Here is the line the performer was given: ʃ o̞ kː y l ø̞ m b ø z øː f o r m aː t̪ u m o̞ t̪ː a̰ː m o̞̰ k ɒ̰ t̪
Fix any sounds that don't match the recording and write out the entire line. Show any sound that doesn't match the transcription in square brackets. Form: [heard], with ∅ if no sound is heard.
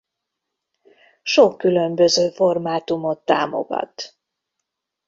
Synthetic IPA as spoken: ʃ o̞ kː y l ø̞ m b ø z øː f o r m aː t̪ u m o̞ t̪ː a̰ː m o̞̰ [ɡ] ɒ̰ t̪